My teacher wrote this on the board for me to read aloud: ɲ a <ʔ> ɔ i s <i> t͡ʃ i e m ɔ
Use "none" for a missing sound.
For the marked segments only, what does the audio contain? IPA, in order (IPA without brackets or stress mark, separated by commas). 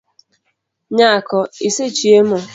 k, e